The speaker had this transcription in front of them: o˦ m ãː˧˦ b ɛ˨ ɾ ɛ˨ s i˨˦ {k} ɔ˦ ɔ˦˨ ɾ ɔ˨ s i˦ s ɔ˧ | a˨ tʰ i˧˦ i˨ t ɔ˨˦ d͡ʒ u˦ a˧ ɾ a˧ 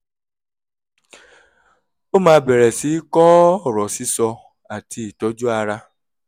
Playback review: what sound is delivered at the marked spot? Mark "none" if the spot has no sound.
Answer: k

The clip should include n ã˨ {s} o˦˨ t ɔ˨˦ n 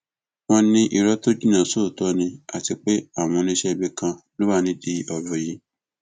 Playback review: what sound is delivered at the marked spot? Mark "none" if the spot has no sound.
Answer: s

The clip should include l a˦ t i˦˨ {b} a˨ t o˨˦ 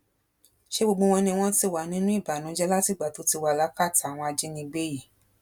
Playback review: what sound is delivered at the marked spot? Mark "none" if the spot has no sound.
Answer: ɡ͡b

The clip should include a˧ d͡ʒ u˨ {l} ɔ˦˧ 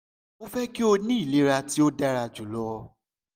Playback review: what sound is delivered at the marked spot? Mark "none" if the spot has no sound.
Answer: l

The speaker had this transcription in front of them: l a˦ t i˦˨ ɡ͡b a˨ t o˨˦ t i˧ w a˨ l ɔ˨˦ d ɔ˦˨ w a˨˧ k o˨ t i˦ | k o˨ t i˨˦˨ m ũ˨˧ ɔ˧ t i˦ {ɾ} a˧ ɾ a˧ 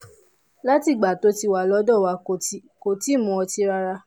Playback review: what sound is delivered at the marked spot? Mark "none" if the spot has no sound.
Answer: ɾ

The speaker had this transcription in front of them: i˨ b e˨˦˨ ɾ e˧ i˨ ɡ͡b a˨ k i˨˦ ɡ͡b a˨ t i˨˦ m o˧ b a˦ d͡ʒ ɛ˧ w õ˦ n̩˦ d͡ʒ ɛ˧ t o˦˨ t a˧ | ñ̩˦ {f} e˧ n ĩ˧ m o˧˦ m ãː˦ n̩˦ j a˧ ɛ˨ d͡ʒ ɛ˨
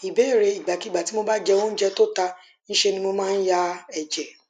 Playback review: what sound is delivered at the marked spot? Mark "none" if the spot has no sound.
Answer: ʃ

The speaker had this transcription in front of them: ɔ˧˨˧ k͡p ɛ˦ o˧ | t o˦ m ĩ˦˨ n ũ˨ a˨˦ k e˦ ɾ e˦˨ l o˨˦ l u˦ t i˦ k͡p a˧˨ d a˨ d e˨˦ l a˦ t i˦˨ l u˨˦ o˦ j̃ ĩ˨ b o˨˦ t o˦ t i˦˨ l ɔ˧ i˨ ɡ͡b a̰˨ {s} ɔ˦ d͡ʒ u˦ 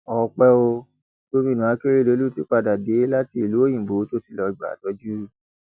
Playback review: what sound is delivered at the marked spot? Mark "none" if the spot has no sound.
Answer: t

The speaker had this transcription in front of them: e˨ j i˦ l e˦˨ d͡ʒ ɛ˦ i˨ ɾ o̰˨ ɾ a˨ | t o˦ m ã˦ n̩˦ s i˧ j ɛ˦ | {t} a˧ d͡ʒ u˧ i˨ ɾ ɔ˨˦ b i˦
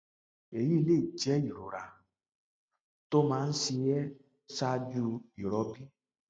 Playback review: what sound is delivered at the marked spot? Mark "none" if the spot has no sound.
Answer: s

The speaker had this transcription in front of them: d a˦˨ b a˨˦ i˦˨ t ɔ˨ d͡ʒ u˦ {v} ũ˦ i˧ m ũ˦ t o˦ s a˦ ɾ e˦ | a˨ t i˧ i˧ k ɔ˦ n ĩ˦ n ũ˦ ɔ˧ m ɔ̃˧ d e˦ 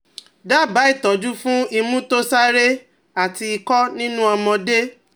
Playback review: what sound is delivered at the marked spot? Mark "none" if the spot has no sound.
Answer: f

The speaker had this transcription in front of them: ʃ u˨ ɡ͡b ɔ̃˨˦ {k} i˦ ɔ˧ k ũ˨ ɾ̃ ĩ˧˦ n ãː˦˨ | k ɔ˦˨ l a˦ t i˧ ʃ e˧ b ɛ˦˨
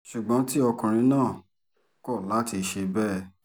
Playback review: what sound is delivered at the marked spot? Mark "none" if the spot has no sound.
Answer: t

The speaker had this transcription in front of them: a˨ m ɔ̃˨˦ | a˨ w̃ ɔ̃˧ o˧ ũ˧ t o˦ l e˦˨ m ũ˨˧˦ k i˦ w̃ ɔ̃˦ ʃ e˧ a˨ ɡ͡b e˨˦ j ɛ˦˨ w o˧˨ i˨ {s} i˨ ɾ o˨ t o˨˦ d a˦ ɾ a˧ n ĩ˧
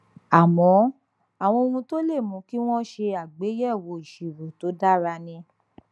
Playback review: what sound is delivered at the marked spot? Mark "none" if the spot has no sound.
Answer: ʃ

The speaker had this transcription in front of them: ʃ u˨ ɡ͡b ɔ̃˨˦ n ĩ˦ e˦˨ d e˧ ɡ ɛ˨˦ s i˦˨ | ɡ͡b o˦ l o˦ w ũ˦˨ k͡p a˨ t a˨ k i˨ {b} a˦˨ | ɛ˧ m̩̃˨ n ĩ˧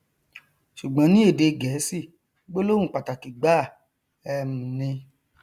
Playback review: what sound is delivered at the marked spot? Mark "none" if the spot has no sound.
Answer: ɡ͡b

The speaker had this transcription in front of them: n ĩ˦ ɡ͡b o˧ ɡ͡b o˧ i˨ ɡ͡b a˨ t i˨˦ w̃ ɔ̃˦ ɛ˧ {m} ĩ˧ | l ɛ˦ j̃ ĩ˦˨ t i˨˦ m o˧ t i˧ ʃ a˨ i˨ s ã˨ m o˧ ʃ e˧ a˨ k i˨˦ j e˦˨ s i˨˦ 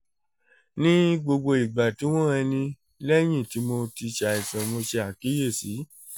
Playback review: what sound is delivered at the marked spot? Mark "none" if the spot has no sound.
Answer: n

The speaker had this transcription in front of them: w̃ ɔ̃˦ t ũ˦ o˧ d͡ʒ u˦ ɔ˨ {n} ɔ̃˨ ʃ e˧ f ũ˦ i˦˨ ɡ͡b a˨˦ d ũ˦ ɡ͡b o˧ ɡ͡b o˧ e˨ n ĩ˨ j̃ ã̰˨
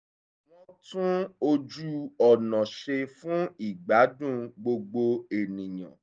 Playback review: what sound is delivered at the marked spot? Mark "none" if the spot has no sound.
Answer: n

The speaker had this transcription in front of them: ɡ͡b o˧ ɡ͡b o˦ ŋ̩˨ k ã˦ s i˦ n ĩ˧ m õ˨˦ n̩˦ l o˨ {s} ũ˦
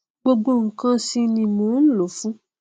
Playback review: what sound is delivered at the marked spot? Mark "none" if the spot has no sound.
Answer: f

